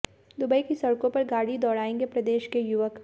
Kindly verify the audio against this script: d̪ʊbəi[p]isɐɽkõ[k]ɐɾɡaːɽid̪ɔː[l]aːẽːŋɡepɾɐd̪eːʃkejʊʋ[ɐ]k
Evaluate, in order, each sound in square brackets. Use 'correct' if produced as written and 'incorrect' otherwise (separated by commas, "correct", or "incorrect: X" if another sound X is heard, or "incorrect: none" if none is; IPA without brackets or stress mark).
incorrect: k, incorrect: p, incorrect: ɽ, incorrect: ə